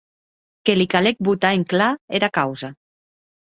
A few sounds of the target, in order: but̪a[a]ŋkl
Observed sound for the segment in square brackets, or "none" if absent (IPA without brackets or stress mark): e